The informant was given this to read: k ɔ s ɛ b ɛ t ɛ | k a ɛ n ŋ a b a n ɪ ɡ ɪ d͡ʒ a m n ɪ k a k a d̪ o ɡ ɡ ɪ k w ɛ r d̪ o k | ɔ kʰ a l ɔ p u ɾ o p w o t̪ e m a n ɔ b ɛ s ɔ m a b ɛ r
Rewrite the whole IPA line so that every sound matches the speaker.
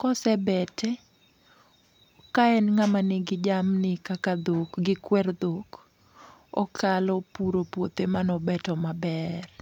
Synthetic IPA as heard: k ɔ s ɛ b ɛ t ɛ | k a ɛ n ŋ a m a n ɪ ɡ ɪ d͡ʒ a m n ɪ k a k a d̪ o k ɡ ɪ k w ɛ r d̪ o k | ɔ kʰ a l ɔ p u ɾ o p w o t̪ e m a n ɔ b ɛ t ɔ m a b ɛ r